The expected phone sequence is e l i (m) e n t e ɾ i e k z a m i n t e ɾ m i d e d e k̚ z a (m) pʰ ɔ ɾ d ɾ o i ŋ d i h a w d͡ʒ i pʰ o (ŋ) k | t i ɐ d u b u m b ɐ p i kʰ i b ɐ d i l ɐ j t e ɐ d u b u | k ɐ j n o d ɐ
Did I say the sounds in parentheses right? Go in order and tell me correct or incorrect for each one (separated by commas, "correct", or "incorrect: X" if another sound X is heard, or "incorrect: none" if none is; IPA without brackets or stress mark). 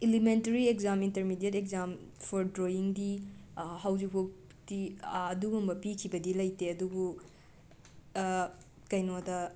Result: correct, correct, incorrect: none